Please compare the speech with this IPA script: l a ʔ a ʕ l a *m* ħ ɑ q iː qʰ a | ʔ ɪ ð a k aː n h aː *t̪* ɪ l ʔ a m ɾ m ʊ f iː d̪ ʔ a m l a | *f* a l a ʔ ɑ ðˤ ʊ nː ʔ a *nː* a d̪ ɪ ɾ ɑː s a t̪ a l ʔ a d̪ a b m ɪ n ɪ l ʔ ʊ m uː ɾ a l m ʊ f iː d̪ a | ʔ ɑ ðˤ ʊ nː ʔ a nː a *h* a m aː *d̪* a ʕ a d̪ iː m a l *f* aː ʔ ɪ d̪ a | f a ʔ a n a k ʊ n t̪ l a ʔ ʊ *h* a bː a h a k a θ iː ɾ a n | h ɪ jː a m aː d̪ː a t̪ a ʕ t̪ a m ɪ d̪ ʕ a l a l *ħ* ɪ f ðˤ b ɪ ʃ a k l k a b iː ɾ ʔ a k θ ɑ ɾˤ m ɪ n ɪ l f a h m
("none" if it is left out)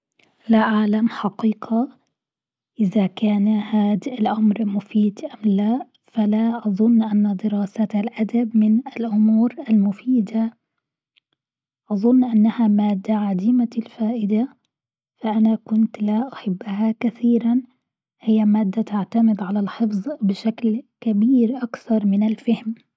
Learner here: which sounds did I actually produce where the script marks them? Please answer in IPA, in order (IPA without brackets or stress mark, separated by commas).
m, d̪, f, nː, h, d̪ː, f, ħ, ħ